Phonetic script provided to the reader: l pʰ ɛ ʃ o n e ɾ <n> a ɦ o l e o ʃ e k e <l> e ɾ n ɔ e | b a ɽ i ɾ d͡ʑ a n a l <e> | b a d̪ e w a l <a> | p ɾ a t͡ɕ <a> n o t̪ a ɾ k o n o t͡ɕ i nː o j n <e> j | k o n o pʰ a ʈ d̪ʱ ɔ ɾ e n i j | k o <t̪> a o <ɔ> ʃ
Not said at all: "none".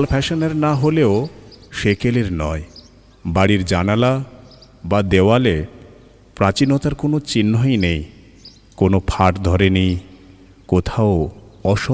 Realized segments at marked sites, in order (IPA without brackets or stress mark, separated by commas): n, l, a, e, i, e, t̪ʰ, ɔ